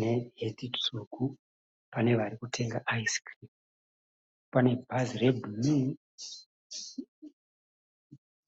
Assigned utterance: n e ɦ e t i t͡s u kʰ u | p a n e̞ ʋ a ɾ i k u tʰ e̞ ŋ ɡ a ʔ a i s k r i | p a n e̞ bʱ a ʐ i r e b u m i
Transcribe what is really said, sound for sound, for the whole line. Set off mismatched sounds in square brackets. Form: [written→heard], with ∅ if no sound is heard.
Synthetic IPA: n e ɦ e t i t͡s u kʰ u | p a n e̞ ʋ a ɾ i k u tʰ e̞ ŋ ɡ a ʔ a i s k r i | p a n e̞ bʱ a [ʐ→z] i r e b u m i

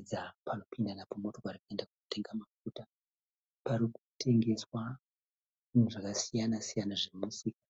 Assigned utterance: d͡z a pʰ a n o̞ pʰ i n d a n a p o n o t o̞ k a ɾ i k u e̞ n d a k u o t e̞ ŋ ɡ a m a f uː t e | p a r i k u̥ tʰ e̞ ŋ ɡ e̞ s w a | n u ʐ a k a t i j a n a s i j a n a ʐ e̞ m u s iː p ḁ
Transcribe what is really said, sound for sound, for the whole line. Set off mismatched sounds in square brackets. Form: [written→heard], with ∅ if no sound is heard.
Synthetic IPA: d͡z a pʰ a n o̞ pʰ i n d a n a p o [n→m] o t o̞ k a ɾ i k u e̞ n d a k u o t e̞ ŋ ɡ a m a f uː t [e→a] | p a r i k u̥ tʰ e̞ ŋ ɡ e̞ s w a | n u ʐ a k a [t→s] i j a n a s i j a n a ʐ e̞ m u s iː [p→k] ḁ

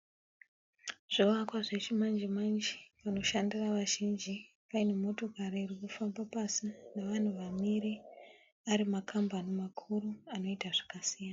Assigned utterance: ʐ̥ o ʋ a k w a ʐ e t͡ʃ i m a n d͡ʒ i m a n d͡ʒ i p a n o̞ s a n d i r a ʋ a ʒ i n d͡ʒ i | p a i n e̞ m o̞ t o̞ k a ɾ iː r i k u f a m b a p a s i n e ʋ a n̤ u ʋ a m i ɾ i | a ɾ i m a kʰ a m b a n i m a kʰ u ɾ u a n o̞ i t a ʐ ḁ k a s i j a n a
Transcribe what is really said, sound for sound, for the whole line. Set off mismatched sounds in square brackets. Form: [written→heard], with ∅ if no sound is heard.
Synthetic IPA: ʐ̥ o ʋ a k w a ʐ e t͡ʃ i m a n d͡ʒ i m a n d͡ʒ i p a n o̞ [s→ʃ] a n d i r a ʋ a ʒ i n d͡ʒ i | p a i n e̞ m o̞ t o̞ k a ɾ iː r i k u f a m b a p a s i n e ʋ a n̤ u ʋ a m i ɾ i | a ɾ i m a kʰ a m b a n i m a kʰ u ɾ u a n o̞ i t a ʐ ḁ k a s i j a n a

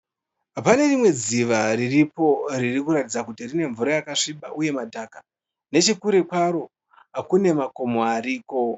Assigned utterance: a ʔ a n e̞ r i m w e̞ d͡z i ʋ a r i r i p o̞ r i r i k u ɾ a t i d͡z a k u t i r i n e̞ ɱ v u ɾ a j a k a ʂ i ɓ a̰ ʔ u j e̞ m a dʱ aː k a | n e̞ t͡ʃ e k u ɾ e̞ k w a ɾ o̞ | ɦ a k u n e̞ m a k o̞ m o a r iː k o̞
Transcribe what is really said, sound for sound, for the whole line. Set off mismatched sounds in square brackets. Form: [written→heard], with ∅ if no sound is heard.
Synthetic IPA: a [ʔ→p] a n e̞ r i m w e̞ d͡z i ʋ a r i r i p o̞ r i r i k u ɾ a t i d͡z a k u t i r i n e̞ ɱ v u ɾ a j a k a ʂ i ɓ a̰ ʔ u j e̞ m a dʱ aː k a | n e̞ t͡ʃ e k u ɾ e̞ k w a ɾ o̞ | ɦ a k u n e̞ m a k o̞ m o a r iː k o̞

